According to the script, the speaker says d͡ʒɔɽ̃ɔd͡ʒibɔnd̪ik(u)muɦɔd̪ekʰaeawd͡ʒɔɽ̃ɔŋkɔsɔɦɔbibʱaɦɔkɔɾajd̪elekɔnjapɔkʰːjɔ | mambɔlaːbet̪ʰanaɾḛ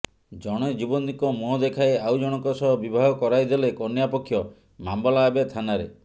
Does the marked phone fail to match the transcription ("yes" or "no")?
yes